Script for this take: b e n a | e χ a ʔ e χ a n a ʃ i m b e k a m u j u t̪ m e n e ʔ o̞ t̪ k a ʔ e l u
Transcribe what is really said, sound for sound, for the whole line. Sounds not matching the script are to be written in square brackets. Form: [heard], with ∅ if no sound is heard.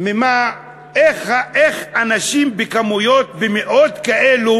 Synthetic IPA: [m] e [m] a | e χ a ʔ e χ a n a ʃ i m b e k a m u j [o] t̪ [b] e [m] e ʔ o̞ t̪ k a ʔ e l u